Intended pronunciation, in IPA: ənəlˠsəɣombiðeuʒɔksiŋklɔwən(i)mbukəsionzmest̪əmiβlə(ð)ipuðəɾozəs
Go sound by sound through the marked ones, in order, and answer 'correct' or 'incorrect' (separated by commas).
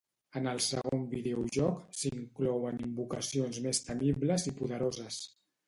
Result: correct, incorrect